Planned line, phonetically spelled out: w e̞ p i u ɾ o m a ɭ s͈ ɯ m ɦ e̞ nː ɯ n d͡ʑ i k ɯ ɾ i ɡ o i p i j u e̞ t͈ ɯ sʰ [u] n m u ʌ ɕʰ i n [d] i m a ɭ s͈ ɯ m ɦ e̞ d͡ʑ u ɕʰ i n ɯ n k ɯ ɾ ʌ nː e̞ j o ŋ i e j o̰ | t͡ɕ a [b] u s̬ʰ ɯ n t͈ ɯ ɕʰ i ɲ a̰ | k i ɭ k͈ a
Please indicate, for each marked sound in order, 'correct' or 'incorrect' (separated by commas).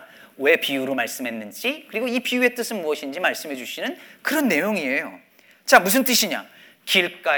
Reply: incorrect, incorrect, incorrect